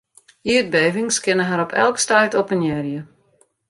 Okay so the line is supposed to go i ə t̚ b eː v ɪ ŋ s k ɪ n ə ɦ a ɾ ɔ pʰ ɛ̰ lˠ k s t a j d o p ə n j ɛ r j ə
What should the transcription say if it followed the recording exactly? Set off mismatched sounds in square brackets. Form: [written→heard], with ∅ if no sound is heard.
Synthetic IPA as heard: i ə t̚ b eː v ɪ ŋ s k ɪ n ə ɦ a ɾ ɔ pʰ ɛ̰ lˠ k s t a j [d→t] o p ə n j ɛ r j ə